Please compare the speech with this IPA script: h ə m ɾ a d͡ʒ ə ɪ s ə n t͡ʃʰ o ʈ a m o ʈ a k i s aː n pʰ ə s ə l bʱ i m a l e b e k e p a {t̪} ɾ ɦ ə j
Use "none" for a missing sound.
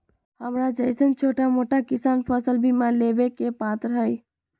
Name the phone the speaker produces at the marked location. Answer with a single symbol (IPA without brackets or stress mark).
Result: t̪